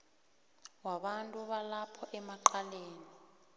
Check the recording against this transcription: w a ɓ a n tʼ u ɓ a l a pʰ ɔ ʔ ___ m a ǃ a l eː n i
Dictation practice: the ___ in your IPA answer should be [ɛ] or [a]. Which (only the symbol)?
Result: ɛ